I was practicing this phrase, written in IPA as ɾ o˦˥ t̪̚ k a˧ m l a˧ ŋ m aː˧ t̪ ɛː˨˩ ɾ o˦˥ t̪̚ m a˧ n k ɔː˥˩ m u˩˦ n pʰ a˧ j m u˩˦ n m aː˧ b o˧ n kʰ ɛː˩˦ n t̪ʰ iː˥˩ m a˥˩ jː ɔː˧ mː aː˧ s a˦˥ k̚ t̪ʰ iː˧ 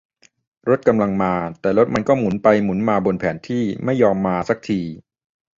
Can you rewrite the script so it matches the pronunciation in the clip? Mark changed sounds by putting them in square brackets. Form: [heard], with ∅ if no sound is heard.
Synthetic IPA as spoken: ɾ o˦˥ t̪̚ k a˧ m l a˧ ŋ m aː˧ t̪ ɛː˨˩ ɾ o˦˥ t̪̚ m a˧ n k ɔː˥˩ m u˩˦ n [p] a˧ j m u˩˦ n m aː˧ b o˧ n [pʰ] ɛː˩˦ n t̪ʰ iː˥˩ m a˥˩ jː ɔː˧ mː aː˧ s a˦˥ k̚ t̪ʰ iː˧

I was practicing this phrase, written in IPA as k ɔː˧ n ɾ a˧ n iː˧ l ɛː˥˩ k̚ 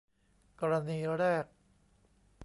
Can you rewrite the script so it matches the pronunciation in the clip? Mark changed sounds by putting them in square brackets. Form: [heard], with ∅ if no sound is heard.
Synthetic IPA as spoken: k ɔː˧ [∅] ɾ a˧ n iː˧ [ɾ] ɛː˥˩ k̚

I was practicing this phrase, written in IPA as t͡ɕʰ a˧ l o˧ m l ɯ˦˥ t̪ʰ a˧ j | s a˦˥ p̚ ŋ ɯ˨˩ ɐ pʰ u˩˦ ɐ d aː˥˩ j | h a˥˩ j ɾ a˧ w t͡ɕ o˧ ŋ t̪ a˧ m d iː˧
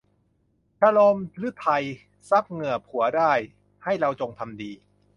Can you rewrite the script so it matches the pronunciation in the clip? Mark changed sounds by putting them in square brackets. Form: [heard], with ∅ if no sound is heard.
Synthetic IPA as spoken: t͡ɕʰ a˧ l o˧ m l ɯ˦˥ t̪ʰ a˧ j | s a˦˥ p̚ ŋ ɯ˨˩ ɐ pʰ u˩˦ ɐ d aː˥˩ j | h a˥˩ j ɾ a˧ w t͡ɕ o˧ ŋ [t̪ʰ] a˧ m d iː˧

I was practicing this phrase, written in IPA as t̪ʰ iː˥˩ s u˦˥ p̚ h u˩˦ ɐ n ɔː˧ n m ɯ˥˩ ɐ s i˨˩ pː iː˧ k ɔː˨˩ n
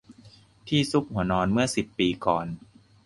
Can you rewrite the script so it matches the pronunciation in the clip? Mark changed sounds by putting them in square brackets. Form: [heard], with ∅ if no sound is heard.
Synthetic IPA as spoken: t̪ʰ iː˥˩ s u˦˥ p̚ h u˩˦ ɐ n ɔː˧ n m ɯ˥˩ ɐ s i˨˩ pː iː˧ k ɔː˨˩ n

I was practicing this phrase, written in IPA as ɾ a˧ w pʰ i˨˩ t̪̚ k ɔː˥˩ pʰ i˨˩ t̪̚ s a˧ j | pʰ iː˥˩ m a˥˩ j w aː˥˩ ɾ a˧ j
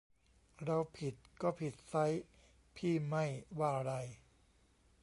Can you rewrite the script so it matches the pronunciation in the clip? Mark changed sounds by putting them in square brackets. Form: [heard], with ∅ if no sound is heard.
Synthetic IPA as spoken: ɾ a˧ w pʰ i˨˩ t̪̚ k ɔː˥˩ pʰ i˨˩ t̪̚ s [a˦˥] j | pʰ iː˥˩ m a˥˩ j w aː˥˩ ɾ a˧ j

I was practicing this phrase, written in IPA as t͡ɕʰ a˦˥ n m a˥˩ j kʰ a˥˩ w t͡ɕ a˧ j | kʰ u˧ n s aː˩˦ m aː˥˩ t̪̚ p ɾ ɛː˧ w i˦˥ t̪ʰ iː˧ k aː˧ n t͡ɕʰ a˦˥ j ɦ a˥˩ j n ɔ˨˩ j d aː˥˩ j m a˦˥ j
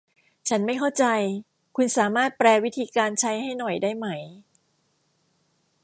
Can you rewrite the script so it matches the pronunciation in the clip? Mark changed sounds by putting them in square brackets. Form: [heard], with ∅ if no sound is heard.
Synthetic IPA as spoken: t͡ɕʰ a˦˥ n m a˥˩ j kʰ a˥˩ w t͡ɕ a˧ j | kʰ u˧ n s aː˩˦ m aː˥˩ t̪̚ p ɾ ɛː˧ w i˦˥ t̪ʰ iː˧ k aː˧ n t͡ɕʰ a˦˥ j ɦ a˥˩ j n ɔ˨˩ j d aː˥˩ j m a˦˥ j

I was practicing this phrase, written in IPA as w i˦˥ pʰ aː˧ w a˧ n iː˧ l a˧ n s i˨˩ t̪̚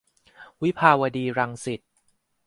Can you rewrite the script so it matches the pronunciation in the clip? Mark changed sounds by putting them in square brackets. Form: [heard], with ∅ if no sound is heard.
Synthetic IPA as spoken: w i˦˥ pʰ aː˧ w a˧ [d] iː˧ [ɾ] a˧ [ŋ] s i˨˩ t̪̚

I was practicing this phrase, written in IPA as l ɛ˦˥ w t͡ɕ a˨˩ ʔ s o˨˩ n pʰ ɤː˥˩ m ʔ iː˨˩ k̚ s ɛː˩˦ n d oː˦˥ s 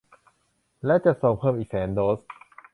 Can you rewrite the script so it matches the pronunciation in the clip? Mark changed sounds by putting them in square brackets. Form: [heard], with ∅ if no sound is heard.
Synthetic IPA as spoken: l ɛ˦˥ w t͡ɕ a˨˩ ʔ s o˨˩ [ŋ] pʰ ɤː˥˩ m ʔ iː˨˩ k̚ s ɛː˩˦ n d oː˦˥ s

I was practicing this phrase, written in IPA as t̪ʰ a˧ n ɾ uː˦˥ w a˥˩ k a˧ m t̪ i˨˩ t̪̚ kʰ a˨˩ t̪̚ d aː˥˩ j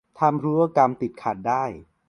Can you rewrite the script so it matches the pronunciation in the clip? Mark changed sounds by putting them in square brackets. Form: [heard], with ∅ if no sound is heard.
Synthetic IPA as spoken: t̪ʰ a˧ [m] ɾ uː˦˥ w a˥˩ k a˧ m t̪ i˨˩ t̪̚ kʰ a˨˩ t̪̚ d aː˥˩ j

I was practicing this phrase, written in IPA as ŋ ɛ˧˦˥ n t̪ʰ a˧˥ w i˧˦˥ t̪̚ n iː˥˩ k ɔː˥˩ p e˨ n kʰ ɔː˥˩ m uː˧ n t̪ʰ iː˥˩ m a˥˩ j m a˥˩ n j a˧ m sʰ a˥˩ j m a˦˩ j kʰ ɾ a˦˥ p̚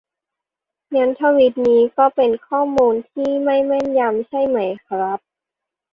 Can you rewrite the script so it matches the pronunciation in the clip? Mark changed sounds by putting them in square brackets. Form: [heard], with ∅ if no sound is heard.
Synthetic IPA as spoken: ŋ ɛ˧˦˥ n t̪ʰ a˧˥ w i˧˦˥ t̪̚ n [iː˦˥] k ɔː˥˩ p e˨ n kʰ ɔː˥˩ m uː˧ n t̪ʰ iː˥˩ m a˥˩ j m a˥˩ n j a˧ m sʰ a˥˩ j m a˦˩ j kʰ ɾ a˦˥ p̚

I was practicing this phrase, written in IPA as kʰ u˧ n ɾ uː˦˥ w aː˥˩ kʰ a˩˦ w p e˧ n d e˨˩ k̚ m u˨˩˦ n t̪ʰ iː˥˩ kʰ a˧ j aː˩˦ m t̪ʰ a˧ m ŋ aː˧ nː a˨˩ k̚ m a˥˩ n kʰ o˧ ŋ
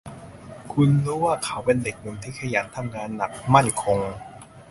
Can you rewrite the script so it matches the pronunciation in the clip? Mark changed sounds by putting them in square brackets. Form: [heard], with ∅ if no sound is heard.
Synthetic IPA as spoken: kʰ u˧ n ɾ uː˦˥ w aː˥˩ kʰ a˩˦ w p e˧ n d e˨˩ k̚ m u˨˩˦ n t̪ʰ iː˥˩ kʰ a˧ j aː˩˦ [n] t̪ʰ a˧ m ŋ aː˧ nː a˨˩ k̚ m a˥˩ n kʰ o˧ ŋ

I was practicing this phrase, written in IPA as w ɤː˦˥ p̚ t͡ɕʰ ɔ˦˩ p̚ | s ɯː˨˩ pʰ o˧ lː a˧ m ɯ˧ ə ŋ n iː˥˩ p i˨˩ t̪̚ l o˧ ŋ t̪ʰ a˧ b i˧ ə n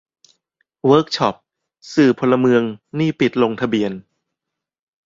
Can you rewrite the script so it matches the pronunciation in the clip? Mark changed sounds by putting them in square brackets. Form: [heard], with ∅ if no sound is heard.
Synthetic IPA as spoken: w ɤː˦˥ [k̚] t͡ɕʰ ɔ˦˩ p̚ | s ɯː˨˩ pʰ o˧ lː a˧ m ɯ˧ ə ŋ n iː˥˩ p i˨˩ t̪̚ l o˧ ŋ t̪ʰ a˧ b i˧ ə n

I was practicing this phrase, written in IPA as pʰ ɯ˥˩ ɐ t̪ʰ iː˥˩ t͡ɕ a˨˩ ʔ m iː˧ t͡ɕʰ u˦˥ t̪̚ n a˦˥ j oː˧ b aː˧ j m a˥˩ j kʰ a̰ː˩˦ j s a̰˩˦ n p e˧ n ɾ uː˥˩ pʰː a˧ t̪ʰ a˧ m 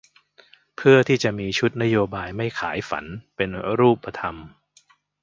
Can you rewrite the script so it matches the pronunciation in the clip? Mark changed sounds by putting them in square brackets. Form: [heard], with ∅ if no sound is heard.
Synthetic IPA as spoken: pʰ ɯ˥˩ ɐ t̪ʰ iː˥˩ t͡ɕ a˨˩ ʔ m iː˧ t͡ɕʰ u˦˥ t̪̚ n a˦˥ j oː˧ b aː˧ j m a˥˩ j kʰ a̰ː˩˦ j [f] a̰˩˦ n p e˧ n ɾ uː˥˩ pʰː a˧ t̪ʰ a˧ m

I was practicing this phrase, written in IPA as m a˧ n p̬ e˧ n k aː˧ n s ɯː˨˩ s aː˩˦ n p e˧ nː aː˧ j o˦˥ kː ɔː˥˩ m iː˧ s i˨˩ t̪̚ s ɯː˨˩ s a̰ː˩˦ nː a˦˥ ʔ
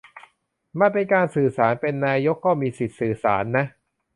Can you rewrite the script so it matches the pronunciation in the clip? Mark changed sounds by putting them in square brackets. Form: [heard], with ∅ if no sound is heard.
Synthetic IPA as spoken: m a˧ n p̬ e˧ n k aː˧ n s ɯː˨˩ s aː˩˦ n p e˧ nː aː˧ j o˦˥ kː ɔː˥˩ m iː˧ s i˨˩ t̪̚ s ɯː˨˩ s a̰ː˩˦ nː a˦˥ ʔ

